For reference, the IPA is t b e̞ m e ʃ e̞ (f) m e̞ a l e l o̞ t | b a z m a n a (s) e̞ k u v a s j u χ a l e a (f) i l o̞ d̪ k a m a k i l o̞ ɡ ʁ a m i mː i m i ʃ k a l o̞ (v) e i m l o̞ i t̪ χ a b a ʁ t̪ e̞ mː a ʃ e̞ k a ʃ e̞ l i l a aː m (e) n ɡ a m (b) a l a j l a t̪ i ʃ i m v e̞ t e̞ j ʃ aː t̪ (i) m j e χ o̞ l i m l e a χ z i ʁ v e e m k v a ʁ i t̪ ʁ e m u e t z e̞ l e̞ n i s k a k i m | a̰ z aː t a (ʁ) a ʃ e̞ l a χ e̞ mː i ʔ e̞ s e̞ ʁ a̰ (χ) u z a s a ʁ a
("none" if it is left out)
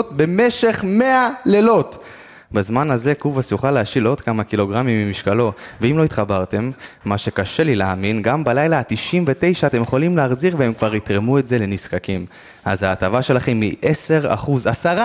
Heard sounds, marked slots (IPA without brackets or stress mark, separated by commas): χ, z, ʃ, v, i, b, e, v, χ